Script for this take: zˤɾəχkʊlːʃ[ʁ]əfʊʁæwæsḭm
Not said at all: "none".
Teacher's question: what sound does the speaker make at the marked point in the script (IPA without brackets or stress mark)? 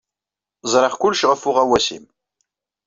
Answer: ʁ